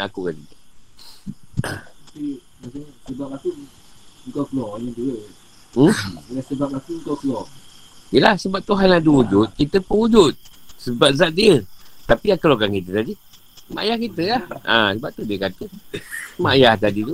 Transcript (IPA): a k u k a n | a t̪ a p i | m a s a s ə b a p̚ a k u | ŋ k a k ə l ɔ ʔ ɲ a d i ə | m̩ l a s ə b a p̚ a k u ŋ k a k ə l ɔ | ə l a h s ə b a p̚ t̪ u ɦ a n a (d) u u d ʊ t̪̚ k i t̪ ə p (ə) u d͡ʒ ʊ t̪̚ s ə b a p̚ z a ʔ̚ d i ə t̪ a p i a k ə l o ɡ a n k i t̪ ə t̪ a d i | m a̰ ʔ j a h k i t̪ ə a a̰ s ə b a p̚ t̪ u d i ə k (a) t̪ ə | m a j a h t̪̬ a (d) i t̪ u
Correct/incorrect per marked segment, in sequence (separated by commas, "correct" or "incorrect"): correct, correct, correct, correct